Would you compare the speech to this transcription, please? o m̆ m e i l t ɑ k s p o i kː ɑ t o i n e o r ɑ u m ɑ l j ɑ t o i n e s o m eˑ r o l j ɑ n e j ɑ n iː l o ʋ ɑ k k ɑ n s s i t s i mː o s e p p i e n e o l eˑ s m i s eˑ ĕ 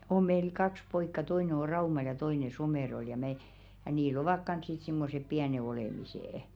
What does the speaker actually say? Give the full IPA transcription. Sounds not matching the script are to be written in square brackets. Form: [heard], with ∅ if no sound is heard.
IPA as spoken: o m̆ m e i l [k] ɑ k s p o i kː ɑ t o i n e o r ɑ u m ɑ l j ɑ t o i n e s o m eˑ r o l j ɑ [m] e j ɑ n iː l o ʋ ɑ k k ɑ n s s i t s i mː o s e p p i [æ] n e o l eˑ [∅] m i s eˑ ĕ